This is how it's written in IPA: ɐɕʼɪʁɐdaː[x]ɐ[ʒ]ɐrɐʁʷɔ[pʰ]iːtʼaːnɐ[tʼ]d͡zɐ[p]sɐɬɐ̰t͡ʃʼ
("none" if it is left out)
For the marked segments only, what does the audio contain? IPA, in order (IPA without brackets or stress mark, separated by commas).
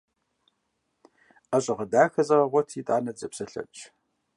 x, z, tʰ, none, p